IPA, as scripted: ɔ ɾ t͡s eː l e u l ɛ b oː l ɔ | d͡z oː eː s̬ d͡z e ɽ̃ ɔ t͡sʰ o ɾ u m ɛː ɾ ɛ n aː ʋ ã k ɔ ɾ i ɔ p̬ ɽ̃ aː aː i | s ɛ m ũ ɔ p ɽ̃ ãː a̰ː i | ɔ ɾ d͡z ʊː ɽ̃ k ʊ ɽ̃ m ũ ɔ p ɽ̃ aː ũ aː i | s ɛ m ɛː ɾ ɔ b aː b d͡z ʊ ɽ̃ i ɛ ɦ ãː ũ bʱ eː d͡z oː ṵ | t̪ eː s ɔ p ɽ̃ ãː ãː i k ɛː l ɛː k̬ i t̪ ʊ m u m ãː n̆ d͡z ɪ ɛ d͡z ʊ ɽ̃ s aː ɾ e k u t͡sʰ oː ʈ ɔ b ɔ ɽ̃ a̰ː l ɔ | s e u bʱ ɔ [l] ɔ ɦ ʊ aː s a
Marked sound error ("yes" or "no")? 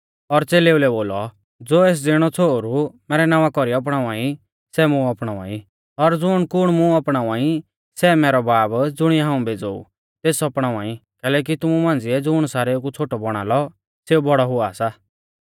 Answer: yes